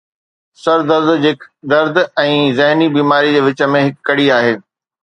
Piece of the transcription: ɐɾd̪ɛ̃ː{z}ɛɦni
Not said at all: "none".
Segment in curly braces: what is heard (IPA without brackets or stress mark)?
z